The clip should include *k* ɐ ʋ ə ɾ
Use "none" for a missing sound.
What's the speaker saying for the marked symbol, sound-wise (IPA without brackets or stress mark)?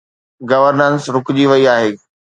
ɡ